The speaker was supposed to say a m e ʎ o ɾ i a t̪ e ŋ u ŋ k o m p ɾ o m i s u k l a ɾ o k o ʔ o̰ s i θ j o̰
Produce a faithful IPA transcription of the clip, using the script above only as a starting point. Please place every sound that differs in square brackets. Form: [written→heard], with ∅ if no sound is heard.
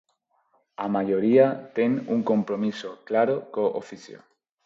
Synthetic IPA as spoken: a m [e→a] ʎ o ɾ i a t̪ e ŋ u ŋ k o m p ɾ o m i s [u→o] k l a ɾ o k o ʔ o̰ [s→f] i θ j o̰